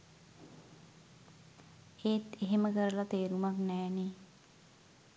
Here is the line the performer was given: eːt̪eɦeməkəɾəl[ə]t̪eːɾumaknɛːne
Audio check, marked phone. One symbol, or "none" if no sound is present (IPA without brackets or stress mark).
a